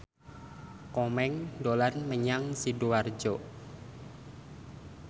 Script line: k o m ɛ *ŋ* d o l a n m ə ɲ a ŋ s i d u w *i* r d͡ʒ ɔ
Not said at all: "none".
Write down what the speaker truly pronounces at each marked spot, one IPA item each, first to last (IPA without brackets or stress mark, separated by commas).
ŋ, a